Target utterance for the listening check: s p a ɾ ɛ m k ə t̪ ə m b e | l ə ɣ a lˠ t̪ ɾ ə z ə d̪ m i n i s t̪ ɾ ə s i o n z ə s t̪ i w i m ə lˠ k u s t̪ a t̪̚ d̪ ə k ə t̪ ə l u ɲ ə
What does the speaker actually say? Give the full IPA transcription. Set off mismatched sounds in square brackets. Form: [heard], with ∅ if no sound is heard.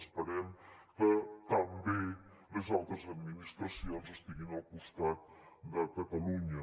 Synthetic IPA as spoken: s p [ə] ɾ ɛ m k ə t̪ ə m b e | l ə [z] a lˠ t̪ ɾ ə z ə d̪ m i n i s t̪ ɾ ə s i o n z ə s t̪ i [ɣ] i [n] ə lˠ k u s t̪ a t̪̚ d̪ ə k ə t̪ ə l u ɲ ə